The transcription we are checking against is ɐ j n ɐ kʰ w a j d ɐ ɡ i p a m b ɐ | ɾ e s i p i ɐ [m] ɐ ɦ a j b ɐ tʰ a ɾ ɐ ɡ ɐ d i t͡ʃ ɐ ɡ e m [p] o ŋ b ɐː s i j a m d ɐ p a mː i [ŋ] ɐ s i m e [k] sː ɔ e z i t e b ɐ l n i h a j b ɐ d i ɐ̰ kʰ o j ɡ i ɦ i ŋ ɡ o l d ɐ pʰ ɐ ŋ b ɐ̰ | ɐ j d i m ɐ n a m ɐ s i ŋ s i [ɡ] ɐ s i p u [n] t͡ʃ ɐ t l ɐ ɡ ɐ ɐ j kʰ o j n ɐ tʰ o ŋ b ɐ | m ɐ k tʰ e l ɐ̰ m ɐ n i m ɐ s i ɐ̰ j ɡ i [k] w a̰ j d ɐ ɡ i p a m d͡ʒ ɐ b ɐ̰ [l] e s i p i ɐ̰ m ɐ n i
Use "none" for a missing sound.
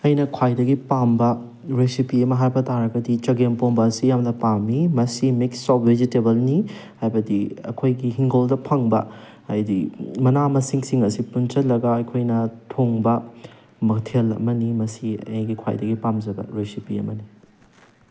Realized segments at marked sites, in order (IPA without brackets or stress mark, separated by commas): m, p, m, k, ŋ, n, kʰ, ɾ